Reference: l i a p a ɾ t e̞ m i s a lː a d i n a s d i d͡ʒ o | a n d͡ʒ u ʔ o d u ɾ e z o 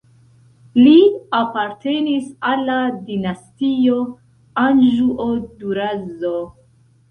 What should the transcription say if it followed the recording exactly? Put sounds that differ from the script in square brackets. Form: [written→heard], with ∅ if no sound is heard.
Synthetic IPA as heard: l i a p a ɾ t e̞ [m→n] i s a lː a d i n a s [d→t] i [d͡ʒ→∅] o | a n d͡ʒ u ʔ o d u ɾ [e→a] z o

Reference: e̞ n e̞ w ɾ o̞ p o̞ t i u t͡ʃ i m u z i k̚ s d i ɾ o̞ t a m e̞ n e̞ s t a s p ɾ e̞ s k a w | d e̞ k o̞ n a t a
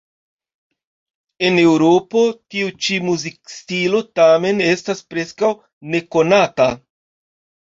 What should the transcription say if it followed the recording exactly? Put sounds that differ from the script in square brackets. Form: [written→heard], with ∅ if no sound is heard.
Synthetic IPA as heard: e̞ n e̞ w ɾ o̞ p o̞ t i u t͡ʃ i m u z i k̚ s [d→t] i [ɾ→l] o̞ t a m e̞ n e̞ s t a s p ɾ e̞ s k a w | [d→n] e̞ k o̞ n a t a

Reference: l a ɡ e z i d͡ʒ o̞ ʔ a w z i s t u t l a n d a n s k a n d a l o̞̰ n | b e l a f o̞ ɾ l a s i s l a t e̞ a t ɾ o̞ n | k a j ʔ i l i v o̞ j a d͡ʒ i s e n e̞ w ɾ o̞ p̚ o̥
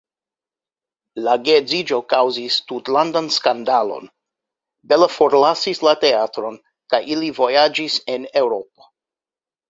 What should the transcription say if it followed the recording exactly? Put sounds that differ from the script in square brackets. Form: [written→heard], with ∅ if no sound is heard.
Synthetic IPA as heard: l a ɡ e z i d͡ʒ o̞ [ʔ→k] a w z i s t u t l a n d a n s k a n d a l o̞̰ n | b e l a f o̞ ɾ l a s i s l a t e̞ a t ɾ o̞ n | k a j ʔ i l i v o̞ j a d͡ʒ i s e n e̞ w ɾ o̞ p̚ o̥

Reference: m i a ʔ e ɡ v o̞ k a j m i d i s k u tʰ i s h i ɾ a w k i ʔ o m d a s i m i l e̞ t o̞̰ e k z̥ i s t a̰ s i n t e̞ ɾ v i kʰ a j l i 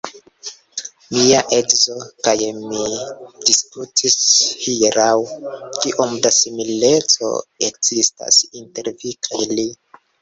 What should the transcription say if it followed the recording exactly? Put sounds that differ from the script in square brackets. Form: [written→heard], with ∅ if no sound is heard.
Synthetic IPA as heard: m i a ʔ e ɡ [v→z] o̞ k a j m i d i s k u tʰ i s h i ɾ a w k i ʔ o m d a s i m i l e̞ [t→t͡s] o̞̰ e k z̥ i s t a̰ s i n t e̞ ɾ v i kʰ a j l i

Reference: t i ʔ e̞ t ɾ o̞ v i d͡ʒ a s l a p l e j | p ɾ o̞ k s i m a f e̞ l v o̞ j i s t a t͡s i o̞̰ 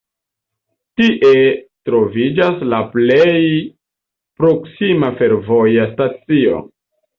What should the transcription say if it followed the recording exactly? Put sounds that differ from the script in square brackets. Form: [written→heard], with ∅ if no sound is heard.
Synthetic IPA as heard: t i ʔ e̞ t ɾ o̞ v i d͡ʒ a s l a p l e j | p ɾ o̞ k s i m a f e̞ [l→ɾ] v o̞ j [i→a] s t a t͡s i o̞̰

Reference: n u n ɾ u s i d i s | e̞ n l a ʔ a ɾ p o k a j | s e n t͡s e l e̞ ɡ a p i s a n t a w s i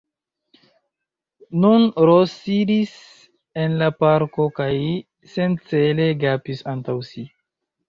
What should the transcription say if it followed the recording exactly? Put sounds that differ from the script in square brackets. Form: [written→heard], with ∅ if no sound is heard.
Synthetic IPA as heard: n u n ɾ [u→o] s i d i s | e̞ n l a [ʔ→p] a ɾ [p→k] o k a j | s e n t͡s e l e̞ ɡ a p i s a n t a w s i

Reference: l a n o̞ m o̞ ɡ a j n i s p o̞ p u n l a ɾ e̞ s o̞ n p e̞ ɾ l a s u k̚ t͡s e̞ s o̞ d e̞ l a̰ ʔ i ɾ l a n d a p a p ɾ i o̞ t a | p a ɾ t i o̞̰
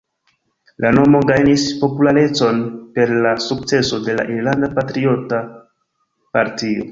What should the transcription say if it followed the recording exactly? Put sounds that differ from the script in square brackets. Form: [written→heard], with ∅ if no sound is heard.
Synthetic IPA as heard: l a n o̞ m o̞ ɡ a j n i s p o̞ p u [n→∅] l a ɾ e̞ [s→t͡s] o̞ n p e̞ ɾ l a s u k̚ t͡s e̞ s o̞ d e̞ l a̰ ʔ i ɾ l a n d a p a [p→t] ɾ i o̞ t a | p a ɾ t i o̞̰

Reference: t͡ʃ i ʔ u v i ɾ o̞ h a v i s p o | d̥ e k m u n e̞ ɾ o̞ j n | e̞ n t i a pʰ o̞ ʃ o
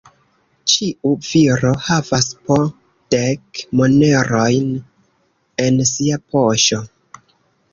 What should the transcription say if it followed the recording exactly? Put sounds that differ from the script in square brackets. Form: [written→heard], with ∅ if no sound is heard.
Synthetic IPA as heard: t͡ʃ i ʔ u v i ɾ o̞ h a v [i→a] s p o | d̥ e k m [u→o] n e̞ ɾ o̞ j n | e̞ n [t→s] i a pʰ o̞ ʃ o

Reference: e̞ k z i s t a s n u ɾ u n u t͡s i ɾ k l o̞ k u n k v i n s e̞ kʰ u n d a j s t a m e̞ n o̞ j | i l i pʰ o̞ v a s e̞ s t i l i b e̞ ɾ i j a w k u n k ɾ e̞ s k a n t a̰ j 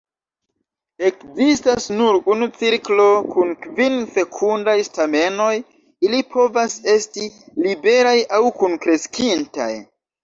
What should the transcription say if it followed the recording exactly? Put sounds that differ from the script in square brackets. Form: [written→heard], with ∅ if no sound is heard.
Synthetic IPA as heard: e̞ k z i s t a s n u ɾ u n u t͡s i ɾ k l o̞ k u n k v i n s e̞ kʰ u n d a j s t a m e̞ n o̞ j | i l i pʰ o̞ v a s e̞ s t i l i b e̞ ɾ [i→a] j a w k u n k ɾ e̞ s k [a→i] n t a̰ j

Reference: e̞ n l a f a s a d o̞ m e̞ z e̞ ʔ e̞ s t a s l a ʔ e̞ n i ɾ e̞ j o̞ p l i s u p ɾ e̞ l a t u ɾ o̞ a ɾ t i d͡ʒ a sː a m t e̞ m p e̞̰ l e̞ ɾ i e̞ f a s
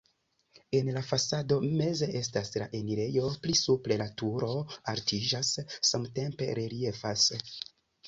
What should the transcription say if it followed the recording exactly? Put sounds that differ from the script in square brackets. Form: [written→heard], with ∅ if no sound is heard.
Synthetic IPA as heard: e̞ n l a f a s a d o̞ m e̞ z e̞ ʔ e̞ s t a s l a ʔ e̞ n i ɾ e̞ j o̞ p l i s u p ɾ e̞ l a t u ɾ o̞ a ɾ t i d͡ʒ a sː a m t e̞ m p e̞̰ [l→ɾ] e̞ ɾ i e̞ f a s

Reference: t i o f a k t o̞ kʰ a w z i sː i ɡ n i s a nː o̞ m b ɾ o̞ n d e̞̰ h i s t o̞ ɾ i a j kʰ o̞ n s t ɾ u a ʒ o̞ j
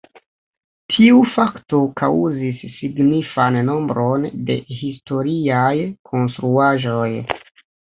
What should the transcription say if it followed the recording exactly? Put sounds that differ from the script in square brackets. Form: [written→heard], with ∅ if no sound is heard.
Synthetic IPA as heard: [t→tʰ] i [o→u] f a k t o̞ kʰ a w z i sː i ɡ n i [s→f] a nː o̞ m b ɾ o̞ n d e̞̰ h i s t o̞ ɾ i a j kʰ o̞ n s t ɾ u a ʒ o̞ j

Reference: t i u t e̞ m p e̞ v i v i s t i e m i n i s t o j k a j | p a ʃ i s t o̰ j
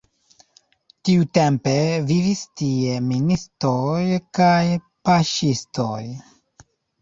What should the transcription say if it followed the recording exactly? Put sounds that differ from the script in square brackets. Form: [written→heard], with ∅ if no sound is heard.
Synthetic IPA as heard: t i u t e̞ m p e̞ v i v i s t i e m i n i s t o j k a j | p a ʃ i s t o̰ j

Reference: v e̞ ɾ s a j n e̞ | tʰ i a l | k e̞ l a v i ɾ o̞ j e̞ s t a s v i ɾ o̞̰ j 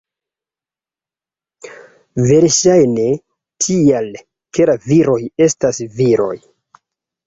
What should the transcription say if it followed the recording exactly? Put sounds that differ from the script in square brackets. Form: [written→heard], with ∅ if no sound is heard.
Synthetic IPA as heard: v e̞ ɾ [s→ʃ] a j n e̞ | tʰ i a l | k e̞ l a v i ɾ o̞ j e̞ s t a s v i ɾ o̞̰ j

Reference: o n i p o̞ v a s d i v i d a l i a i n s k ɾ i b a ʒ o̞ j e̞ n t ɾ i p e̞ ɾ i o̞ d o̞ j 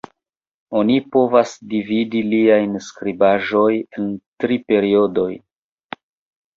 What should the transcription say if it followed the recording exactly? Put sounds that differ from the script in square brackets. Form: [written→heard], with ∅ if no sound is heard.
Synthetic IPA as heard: o n i p o̞ v a s d i v i d [a→i] l i a [i→j] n s k ɾ i b a ʒ o̞ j e̞ n t ɾ i p e̞ ɾ i o̞ d o̞ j

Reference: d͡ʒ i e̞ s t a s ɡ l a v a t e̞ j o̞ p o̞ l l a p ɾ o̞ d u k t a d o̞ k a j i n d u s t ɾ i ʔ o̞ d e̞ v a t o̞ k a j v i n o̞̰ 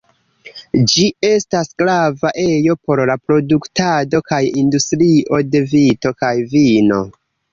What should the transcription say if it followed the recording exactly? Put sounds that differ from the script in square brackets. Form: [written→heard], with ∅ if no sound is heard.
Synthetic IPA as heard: d͡ʒ i e̞ s t a s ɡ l a v a [t→ʔ] e̞ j o̞ p o̞ [l→ɾ] l a p ɾ o̞ d u k t a d o̞ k a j i n d u s t ɾ i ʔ o̞ d e̞ v [a→i] t o̞ k a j v i n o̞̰

